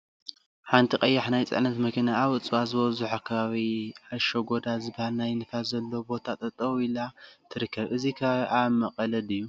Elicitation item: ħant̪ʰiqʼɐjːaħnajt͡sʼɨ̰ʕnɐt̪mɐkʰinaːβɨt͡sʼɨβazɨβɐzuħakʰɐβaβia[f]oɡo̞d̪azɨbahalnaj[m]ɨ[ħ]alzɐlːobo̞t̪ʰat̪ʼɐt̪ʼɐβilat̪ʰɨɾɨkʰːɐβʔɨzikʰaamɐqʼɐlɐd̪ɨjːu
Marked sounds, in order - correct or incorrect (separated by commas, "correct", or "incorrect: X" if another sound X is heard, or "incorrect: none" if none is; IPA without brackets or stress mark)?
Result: incorrect: ʃ, incorrect: n, incorrect: f